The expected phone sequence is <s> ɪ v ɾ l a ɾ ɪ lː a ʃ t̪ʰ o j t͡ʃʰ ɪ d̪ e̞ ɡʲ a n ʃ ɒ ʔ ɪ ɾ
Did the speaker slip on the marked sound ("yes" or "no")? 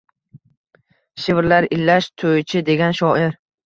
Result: yes